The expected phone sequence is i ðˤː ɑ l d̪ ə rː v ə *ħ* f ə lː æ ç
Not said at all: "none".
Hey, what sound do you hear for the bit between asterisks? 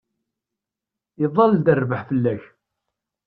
ħ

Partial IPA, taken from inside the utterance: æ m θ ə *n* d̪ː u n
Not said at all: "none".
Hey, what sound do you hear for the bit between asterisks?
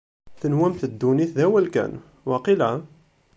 none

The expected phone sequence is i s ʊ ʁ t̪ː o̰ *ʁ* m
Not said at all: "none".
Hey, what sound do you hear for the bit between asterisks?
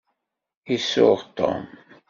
none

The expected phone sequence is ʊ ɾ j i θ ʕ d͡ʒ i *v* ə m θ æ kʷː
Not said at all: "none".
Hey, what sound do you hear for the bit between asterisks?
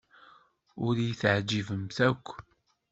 v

